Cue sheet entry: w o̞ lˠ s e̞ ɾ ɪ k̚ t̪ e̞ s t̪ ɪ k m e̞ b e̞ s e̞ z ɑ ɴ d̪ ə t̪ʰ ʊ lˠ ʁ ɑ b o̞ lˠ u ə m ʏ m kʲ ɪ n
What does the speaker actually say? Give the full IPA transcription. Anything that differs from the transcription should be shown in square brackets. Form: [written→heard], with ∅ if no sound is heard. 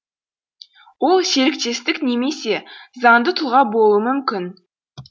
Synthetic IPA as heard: w o̞ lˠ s e̞ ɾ ɪ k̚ t̪ e̞ s t̪ ɪ k [m→n] e̞ [b→m] e̞ s e̞ z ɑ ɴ d̪ ə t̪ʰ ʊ lˠ ʁ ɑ b o̞ lˠ u ə m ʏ m kʲ ɪ n